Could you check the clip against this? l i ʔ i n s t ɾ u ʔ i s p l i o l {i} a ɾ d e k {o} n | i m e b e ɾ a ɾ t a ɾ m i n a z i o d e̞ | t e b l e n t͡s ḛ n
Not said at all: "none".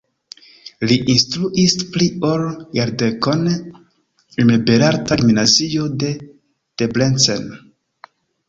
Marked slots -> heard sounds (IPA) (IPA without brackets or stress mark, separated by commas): j, o